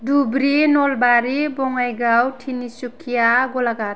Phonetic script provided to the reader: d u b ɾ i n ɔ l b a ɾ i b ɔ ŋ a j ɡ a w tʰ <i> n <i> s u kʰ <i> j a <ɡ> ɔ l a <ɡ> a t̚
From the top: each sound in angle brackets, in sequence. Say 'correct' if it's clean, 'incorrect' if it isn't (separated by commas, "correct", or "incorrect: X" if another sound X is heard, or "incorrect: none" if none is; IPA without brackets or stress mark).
correct, correct, correct, correct, correct